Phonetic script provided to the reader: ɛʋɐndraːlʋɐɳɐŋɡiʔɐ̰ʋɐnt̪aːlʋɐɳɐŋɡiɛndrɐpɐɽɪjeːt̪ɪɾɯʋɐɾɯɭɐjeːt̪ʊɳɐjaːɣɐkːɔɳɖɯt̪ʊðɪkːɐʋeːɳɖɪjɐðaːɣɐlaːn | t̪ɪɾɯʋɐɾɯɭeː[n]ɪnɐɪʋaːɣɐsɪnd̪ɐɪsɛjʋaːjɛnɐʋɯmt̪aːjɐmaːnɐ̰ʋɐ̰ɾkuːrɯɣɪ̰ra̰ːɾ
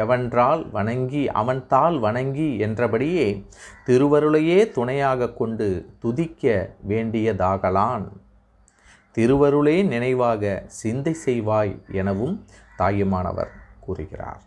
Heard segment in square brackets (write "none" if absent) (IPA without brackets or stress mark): n